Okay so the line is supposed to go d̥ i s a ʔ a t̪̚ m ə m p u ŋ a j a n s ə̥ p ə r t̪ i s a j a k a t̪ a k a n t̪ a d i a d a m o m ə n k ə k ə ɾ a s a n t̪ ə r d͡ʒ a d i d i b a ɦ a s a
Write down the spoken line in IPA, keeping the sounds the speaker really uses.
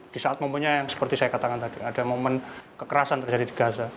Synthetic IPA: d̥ i s a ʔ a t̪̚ m ə m p u ɲ a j a ŋ s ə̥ p ə r t̪ i s a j a k a t̪ a k a n t̪ a d i a d a m o m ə n k ə k ə ɾ a s a n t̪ ə r d͡ʒ a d i d i b a ɦ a s a